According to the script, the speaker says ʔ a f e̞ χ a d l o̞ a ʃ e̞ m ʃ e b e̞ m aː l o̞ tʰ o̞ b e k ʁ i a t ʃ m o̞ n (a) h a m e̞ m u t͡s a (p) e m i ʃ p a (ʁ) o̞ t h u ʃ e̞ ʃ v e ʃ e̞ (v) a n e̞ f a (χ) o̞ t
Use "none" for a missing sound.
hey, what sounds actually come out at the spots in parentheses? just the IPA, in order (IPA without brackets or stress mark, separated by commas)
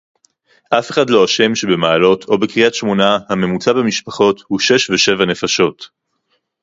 a, b, χ, v, ʃ